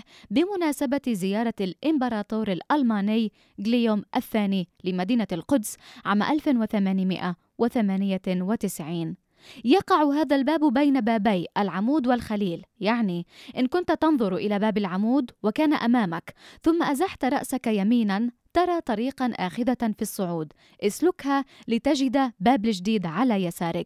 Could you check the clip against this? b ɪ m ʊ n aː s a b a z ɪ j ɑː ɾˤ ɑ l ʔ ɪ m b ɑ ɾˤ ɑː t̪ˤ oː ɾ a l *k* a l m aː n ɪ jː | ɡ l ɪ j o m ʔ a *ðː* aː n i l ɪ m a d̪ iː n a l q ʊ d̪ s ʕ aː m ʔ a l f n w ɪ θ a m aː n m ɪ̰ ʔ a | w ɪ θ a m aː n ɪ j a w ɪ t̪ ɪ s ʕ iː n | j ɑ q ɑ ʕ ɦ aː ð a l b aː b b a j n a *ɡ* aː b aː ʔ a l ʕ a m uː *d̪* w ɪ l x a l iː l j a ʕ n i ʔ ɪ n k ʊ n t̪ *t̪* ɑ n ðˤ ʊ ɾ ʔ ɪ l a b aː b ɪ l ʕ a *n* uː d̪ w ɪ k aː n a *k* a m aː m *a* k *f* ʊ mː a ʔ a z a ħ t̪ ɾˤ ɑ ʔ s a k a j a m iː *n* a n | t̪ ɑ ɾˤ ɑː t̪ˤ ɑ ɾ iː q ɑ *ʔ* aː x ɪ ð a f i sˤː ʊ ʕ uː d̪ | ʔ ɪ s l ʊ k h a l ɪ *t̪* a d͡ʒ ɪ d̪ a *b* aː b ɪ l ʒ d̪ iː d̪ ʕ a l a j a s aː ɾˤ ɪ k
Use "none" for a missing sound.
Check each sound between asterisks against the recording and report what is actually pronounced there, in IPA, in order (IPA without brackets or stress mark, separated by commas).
ʔ, θː, b, d̪, t̪, m, ʔ, a, θ, n, ʔ, t̪, b